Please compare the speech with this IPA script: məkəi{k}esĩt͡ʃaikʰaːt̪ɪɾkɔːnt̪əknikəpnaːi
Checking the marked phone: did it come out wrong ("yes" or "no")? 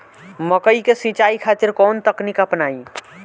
no